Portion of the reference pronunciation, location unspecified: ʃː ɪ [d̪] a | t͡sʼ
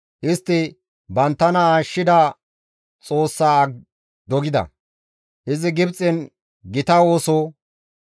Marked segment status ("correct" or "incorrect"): correct